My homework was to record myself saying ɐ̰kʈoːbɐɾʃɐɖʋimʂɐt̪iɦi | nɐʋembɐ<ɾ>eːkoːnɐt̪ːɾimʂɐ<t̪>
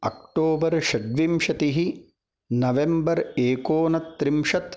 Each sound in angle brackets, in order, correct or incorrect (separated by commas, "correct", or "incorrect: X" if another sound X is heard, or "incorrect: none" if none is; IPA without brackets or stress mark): correct, correct